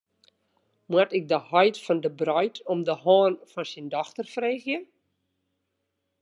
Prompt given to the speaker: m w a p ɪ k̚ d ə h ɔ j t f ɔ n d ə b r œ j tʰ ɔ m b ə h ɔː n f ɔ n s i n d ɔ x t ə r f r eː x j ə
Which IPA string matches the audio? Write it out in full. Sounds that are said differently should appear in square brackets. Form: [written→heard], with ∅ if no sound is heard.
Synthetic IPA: m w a [p→t] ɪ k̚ d ə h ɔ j t f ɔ n d ə b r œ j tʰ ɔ m [b→d] ə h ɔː n f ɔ n s i n d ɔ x t ə r f r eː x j ə

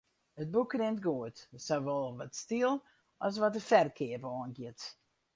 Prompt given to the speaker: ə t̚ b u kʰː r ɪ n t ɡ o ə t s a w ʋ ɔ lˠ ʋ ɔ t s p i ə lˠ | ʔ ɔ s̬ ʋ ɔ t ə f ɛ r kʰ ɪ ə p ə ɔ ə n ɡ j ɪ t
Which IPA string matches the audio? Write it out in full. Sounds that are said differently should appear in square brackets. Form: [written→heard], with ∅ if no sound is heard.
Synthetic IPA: ə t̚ b u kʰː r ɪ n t ɡ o ə t s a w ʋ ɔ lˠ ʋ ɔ t s [p→t] i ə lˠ | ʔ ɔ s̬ ʋ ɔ t ə f ɛ r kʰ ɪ ə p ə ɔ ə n ɡ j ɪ t

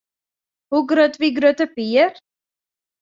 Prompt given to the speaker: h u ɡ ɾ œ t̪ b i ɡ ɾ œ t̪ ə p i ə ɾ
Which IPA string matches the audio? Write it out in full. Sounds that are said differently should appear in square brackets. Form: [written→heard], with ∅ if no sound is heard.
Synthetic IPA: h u ɡ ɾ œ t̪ [b→v] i ɡ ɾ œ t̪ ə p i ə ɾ

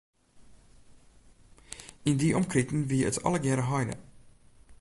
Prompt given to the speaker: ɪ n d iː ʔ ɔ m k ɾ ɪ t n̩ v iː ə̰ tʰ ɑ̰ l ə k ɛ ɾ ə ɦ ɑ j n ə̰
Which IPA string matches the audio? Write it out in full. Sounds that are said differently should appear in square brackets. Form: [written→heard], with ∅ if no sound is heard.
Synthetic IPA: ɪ n d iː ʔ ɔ m k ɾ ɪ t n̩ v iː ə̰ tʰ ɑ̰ l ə [k→ɡ] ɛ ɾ ə ɦ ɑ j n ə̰

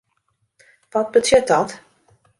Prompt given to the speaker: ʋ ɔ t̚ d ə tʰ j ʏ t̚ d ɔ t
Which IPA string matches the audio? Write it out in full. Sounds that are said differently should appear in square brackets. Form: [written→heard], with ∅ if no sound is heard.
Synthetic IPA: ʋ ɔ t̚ [d→b] ə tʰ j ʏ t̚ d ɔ t

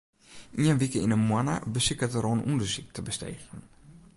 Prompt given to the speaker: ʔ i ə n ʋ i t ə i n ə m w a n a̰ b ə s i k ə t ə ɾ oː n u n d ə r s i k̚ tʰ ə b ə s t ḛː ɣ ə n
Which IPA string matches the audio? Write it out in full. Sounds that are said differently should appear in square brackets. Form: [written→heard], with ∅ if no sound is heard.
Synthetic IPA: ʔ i ə n ʋ i [t→k] ə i n ə m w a n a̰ b ə s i k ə t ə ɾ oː n u n d ə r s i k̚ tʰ ə b ə s t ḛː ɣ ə n

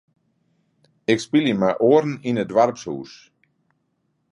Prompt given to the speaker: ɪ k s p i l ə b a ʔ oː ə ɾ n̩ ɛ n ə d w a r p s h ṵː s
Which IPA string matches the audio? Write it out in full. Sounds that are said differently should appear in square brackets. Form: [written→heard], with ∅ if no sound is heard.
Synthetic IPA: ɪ k s p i l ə [b→m] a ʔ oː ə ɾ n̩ [ɛ→i] n ə d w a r p s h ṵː s

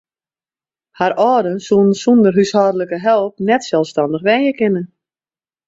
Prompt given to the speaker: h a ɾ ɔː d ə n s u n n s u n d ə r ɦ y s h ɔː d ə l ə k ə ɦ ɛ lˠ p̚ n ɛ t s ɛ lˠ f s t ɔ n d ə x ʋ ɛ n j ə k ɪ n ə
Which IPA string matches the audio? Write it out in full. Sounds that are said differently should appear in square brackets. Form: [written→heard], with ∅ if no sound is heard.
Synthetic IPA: h a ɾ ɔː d ə n s u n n s u n d ə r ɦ y s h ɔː d ə l ə k ə ɦ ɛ lˠ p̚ n ɛ t s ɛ lˠ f s t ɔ n d ə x ʋ ɛ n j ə k ɪ n ə

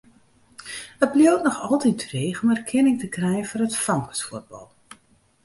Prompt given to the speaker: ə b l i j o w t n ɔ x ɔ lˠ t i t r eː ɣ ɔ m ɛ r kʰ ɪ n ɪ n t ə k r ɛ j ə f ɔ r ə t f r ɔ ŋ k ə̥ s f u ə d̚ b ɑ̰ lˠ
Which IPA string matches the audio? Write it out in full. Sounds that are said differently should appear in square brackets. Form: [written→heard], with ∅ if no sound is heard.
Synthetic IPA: ə b l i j o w t n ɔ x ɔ lˠ t i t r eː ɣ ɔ m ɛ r kʰ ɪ n ɪ [n→ŋ] t ə k r ɛ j ə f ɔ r ə t f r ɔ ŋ k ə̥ s f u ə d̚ b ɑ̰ lˠ

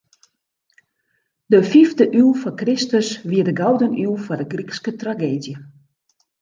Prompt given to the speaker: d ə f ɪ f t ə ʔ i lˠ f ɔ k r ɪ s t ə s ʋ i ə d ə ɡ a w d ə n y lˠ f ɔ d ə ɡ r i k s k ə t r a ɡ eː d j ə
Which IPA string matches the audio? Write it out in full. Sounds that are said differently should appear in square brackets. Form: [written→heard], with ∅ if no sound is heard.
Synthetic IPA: d ə f [ɪ→i] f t ə ʔ [i→y] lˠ f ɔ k r ɪ s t ə s ʋ i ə d ə ɡ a w d ə n y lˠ f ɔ d ə ɡ r i k s k ə t r a ɡ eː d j ə

